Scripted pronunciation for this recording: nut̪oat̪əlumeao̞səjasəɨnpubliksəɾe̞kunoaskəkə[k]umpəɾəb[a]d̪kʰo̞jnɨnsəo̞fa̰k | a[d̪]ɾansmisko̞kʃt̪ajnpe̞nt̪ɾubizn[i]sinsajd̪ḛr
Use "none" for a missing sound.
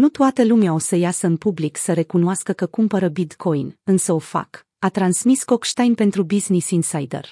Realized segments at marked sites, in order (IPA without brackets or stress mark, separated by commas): k, i, t̪, i